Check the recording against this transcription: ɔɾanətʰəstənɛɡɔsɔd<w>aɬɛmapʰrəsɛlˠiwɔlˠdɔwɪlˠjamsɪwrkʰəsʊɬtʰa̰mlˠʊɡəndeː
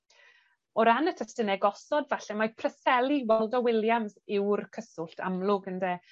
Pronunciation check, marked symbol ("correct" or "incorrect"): incorrect